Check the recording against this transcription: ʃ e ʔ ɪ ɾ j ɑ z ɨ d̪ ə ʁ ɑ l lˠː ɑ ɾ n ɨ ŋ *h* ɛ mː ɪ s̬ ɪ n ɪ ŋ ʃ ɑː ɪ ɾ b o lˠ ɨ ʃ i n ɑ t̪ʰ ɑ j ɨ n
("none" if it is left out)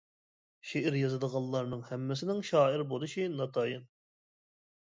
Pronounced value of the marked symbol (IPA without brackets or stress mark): h